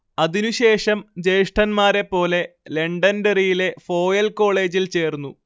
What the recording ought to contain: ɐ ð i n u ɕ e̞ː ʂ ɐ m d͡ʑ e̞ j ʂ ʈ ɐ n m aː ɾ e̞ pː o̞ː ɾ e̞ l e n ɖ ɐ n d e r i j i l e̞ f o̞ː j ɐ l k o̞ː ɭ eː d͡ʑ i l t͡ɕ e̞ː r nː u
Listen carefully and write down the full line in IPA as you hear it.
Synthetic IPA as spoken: ɐ ð i n u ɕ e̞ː ʂ ɐ m d͡ʑ e̞ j ʂ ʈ ɐ n m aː ɾ e̞ pː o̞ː l e̞ l e ɳ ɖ ɐ n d e r i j i l e̞ f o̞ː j ɐ l k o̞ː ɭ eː d͡ʑ i l t͡ɕ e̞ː r nː u